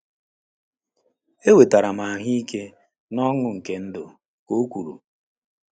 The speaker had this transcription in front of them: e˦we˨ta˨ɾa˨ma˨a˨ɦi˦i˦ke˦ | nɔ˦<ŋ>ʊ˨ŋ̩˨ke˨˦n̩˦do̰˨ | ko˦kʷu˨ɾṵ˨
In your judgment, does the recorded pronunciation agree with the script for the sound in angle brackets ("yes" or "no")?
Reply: yes